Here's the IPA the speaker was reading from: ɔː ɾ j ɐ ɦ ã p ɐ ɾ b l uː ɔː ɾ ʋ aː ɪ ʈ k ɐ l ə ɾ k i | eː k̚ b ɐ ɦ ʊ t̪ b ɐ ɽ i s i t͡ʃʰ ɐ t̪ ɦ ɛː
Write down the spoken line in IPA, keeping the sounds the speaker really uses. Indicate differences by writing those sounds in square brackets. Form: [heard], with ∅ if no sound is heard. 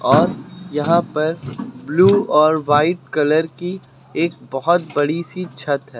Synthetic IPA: ɔː ɾ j ɐ ɦ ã p ɐ ɾ b l uː ɔː ɾ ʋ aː ɪ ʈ k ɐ l ə ɾ k i | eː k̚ b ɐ ɦ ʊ t̪ b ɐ ɽ i s i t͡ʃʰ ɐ t̪ ɦ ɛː